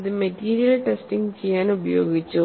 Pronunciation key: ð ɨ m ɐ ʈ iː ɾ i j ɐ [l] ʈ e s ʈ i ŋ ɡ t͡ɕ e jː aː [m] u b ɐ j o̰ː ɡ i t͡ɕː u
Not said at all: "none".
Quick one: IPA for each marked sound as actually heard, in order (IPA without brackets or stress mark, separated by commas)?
l, n